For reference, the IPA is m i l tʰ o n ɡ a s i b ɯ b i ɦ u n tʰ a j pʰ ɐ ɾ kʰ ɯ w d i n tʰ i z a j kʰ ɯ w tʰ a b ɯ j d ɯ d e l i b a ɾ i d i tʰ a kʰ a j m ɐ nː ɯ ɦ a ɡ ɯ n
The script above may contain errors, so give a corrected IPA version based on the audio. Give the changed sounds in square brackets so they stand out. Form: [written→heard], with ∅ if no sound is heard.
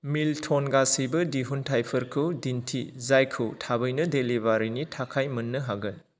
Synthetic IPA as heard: m i l tʰ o n ɡ a s i b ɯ [b→d] i ɦ u n tʰ a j pʰ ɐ ɾ kʰ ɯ w d i n tʰ i z a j kʰ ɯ w tʰ a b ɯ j [d→n] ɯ d e l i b a ɾ i [d→n] i tʰ a kʰ a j m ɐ nː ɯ ɦ a ɡ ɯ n